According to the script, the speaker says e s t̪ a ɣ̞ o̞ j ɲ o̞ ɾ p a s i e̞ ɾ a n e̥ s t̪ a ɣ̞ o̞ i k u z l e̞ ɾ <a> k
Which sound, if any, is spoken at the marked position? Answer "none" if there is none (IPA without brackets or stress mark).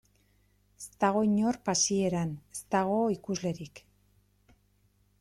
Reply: i